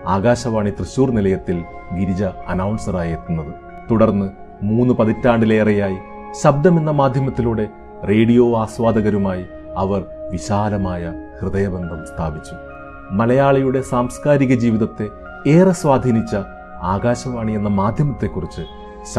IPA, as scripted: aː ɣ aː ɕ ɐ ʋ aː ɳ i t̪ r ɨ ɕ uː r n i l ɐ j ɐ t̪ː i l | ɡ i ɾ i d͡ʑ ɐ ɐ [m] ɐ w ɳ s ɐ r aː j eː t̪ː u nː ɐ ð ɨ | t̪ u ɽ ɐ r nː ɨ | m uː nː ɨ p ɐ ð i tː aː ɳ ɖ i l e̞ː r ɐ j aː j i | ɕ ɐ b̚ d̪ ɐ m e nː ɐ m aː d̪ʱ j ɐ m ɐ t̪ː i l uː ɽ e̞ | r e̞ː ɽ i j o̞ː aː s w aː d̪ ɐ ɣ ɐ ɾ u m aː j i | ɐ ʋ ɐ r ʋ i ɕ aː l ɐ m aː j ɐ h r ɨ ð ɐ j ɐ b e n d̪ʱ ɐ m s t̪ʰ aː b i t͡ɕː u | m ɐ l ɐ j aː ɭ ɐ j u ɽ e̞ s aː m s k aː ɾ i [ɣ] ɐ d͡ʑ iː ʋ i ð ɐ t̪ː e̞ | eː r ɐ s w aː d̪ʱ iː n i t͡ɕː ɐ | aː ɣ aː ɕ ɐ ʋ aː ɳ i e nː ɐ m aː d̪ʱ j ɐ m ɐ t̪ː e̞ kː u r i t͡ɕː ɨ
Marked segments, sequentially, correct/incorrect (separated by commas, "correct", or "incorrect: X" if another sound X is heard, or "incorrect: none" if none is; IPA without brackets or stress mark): incorrect: n, correct